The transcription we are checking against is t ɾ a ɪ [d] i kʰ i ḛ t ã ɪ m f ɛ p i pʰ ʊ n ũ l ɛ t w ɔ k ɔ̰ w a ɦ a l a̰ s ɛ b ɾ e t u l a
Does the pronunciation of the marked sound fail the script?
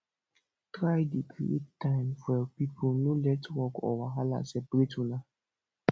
no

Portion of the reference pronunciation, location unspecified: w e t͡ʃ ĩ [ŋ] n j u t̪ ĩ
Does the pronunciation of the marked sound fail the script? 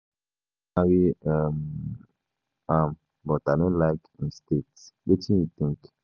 yes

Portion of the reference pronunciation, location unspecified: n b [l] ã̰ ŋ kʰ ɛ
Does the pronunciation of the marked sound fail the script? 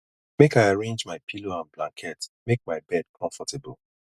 no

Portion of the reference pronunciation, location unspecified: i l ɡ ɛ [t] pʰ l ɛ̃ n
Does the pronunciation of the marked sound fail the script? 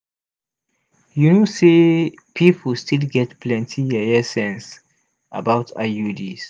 no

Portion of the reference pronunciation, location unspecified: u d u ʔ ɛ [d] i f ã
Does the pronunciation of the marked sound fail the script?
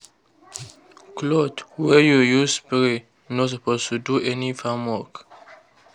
yes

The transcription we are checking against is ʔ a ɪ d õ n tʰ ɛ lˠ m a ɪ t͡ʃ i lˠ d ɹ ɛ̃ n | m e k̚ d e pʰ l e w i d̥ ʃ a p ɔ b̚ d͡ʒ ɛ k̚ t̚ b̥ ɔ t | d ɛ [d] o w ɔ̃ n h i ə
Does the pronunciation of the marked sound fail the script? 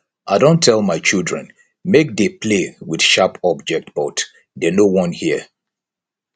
yes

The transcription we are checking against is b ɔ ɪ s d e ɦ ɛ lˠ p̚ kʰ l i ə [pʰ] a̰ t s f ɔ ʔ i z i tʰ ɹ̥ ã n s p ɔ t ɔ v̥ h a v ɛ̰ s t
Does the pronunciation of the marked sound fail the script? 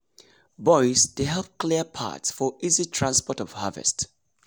no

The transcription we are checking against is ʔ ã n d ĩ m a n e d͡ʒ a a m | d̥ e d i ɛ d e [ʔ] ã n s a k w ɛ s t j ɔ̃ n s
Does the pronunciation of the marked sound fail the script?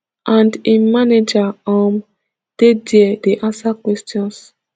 no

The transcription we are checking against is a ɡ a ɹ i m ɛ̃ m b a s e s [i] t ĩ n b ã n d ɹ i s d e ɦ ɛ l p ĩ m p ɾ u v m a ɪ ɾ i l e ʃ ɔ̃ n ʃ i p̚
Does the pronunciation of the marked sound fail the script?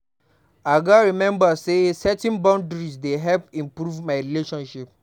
yes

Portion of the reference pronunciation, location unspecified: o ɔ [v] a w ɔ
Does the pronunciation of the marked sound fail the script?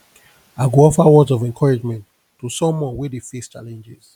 yes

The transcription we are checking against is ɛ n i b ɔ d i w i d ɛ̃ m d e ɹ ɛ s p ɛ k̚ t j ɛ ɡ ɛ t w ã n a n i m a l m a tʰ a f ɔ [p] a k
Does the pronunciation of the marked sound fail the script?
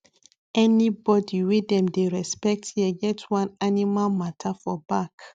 yes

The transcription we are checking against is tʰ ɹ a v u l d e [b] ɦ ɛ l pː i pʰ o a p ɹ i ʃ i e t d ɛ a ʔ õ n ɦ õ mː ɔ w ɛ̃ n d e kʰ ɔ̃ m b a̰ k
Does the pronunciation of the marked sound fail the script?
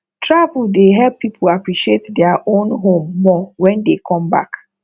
yes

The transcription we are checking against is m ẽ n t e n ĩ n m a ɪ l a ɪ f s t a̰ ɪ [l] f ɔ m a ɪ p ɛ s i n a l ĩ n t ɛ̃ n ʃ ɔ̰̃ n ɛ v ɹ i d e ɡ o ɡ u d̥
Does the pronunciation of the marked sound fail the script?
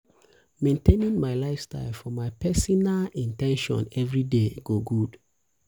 no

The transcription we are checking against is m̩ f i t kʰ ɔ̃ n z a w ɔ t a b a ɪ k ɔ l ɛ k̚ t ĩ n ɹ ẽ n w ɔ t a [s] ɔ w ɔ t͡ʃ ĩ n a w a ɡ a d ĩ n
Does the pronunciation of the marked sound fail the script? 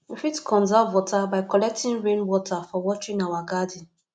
yes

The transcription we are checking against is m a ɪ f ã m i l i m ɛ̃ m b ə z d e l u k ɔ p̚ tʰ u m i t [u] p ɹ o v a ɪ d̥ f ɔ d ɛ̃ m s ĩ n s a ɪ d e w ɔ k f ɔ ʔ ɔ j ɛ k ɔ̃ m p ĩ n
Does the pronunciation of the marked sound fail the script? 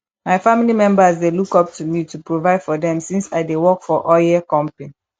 no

